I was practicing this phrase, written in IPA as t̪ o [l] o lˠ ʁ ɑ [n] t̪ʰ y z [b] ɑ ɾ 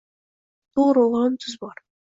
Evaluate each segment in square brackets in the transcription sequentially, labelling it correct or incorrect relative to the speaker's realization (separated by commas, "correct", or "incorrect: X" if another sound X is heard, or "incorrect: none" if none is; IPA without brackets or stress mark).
incorrect: ɾ, correct, correct